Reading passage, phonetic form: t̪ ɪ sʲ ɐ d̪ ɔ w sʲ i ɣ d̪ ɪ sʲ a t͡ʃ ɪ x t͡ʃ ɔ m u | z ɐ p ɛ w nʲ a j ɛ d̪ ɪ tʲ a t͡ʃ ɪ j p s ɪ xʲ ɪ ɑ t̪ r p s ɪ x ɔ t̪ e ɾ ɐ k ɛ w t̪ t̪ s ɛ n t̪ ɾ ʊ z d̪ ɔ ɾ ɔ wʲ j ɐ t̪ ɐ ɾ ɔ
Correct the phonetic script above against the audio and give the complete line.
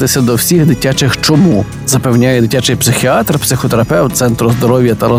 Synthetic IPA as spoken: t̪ ɪ sʲ ɐ d̪ ɔ w sʲ i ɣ d̪ ɪ tʲ a t͡ʃ ɪ x t͡ʃ ɔ m u | z ɐ p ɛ w nʲ a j ɛ d̪ ɪ tʲ a t͡ʃ ɪ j p s ɪ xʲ i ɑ t̪ r p s ɪ x ɔ t̪ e ɾ ɐ p ɛ w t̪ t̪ s ɛ n t̪ ɾ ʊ z d̪ ɔ ɾ ɔ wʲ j ɐ t̪ ɐ ɾ ɔ